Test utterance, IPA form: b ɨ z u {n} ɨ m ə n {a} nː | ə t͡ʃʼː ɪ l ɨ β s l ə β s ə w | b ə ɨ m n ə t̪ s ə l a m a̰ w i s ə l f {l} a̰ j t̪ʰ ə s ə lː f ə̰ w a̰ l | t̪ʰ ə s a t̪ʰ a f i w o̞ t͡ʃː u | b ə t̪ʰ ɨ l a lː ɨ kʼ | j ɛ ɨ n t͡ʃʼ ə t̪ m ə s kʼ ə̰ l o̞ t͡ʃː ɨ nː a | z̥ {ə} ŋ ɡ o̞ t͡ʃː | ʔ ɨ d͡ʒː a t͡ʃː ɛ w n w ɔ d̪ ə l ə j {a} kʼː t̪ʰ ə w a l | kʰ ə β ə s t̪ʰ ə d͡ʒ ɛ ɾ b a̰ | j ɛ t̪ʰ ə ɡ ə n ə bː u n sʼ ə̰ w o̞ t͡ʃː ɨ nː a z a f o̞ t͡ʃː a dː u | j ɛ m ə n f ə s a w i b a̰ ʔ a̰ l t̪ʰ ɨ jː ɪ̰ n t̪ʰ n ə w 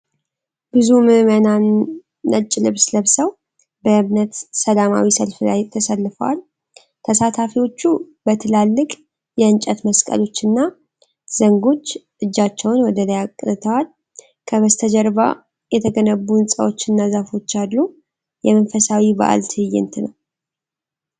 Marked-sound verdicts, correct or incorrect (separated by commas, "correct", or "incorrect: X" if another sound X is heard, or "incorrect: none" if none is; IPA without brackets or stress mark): incorrect: m, correct, correct, correct, correct